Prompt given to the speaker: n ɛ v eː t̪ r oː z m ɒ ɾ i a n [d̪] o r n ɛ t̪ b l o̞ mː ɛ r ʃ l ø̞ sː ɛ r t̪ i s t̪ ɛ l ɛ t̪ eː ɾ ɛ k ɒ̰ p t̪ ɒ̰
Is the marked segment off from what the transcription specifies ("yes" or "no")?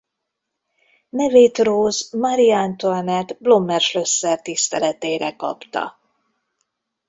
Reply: yes